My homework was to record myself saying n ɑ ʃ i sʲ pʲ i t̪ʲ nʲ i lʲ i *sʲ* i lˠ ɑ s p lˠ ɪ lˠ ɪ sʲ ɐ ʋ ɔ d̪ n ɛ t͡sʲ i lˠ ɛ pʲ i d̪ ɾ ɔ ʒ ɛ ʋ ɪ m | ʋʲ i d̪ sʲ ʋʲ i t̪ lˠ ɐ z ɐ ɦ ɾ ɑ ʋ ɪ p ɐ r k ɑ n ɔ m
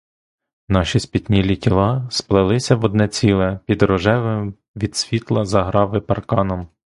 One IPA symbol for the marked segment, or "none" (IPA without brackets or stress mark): tʲ